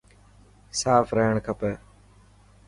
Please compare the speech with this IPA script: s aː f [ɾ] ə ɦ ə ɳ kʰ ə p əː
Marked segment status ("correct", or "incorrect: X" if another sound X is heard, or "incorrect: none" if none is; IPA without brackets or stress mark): correct